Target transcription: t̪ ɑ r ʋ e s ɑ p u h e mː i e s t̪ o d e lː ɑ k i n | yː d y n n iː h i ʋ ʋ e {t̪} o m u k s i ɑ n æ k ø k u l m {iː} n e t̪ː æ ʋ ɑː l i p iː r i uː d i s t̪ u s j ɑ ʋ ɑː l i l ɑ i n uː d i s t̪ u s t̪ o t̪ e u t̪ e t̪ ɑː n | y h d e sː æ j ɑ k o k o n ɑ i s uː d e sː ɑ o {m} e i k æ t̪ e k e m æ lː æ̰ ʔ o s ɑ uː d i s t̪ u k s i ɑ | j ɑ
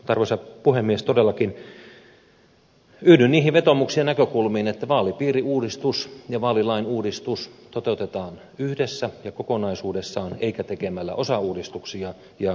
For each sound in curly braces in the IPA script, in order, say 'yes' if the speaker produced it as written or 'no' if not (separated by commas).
yes, yes, no